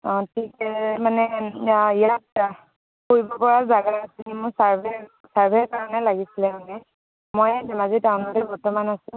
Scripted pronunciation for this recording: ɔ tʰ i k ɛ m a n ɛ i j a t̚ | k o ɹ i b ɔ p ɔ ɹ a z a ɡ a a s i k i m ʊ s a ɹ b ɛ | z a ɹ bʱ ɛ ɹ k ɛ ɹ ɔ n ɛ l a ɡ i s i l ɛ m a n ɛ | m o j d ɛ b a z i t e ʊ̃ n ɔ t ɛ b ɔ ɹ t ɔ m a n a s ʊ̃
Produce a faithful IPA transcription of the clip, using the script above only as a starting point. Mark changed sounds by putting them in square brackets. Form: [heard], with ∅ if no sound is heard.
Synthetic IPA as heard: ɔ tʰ i k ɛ m a n ɛ i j a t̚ | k o ɹ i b ɔ p ɔ ɹ a z a ɡ a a s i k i m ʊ s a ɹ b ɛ | [s] a ɹ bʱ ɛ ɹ k [a] ɹ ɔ n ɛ l a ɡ i s i l ɛ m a n ɛ | m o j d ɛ [m] a z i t [a] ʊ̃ n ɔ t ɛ b ɔ ɹ t ɔ m a n a s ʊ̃